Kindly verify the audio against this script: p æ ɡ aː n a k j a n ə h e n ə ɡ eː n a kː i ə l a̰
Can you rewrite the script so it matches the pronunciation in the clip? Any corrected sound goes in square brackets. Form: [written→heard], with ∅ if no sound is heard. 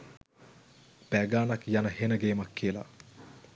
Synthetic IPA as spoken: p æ ɡ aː n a k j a n ə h e n ə ɡ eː [n→m] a kː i ə l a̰